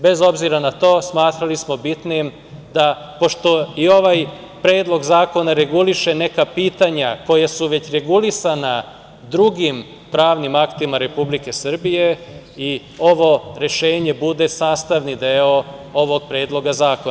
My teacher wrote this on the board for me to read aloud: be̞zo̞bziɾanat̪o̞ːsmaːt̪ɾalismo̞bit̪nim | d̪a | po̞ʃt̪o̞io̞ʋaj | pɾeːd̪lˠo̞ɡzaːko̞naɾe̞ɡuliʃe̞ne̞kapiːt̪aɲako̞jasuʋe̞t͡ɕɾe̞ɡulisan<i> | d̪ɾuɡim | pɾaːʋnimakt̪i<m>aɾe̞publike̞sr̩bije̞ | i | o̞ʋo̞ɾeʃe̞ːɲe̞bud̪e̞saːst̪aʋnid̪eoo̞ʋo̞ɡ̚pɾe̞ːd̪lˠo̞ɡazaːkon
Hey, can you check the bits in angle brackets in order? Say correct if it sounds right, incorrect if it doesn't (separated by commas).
incorrect, correct